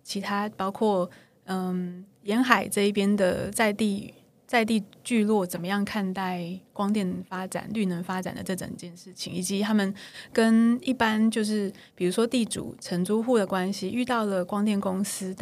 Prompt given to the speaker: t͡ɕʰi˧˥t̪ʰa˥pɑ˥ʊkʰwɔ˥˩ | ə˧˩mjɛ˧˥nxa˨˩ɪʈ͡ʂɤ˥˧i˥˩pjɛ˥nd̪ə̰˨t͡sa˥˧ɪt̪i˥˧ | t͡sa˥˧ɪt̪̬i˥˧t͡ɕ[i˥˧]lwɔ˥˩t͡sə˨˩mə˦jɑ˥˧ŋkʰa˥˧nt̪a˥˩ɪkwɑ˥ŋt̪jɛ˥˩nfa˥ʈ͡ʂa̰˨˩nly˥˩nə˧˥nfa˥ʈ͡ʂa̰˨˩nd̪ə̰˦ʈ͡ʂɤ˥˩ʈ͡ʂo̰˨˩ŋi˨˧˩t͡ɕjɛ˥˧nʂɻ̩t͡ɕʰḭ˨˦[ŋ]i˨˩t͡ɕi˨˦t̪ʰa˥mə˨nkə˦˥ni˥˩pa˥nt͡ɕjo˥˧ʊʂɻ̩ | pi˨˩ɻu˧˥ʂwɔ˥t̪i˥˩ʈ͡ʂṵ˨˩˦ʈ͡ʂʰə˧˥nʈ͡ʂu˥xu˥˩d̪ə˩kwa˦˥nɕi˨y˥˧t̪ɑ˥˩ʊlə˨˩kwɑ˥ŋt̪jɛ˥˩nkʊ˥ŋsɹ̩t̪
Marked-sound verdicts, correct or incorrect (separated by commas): incorrect, correct